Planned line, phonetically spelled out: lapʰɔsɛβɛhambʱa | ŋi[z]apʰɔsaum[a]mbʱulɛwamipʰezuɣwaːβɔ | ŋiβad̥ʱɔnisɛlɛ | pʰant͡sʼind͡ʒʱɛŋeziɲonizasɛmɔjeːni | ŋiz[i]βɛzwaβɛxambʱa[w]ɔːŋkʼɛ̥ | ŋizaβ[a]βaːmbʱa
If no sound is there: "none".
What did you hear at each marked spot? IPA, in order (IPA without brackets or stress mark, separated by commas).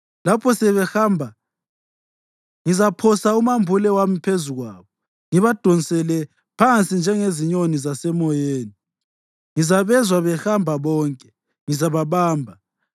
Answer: z, a, a, β, a